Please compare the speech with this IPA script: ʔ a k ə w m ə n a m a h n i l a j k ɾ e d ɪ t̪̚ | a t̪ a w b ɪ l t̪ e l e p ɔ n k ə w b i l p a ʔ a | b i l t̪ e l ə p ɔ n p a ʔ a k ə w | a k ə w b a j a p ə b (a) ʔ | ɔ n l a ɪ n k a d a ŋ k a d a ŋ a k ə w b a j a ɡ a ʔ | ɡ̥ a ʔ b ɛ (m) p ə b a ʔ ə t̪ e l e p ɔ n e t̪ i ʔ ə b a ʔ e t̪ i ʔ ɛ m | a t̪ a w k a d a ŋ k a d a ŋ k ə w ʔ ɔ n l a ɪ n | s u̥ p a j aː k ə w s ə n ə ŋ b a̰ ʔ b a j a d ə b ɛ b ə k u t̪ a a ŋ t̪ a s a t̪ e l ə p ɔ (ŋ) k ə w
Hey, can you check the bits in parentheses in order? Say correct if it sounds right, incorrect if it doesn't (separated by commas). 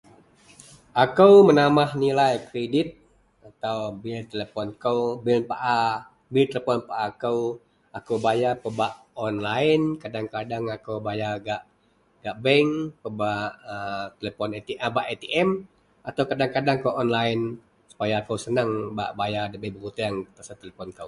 correct, incorrect, incorrect